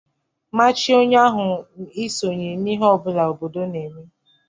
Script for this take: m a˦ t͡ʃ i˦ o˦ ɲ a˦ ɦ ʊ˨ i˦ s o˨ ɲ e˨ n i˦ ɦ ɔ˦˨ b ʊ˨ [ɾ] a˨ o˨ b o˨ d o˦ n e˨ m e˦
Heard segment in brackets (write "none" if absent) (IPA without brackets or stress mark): l